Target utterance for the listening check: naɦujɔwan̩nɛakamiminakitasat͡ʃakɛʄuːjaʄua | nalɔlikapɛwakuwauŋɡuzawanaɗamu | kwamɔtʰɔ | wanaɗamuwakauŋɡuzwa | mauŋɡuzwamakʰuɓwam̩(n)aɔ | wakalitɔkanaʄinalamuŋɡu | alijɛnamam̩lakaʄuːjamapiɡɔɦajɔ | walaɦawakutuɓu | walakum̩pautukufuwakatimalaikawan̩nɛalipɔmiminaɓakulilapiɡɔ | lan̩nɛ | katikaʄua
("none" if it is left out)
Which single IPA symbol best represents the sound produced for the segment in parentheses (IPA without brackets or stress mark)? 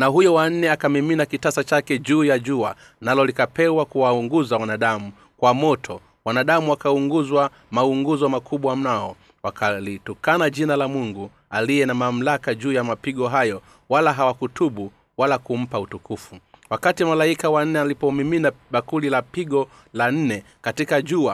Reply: n